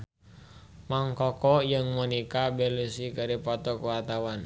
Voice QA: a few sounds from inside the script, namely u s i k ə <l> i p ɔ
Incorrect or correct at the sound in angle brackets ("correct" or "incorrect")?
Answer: incorrect